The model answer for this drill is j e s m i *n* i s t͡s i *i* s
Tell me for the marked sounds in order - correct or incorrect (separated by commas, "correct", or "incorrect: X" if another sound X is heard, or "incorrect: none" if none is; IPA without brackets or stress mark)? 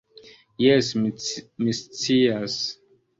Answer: incorrect: m, incorrect: a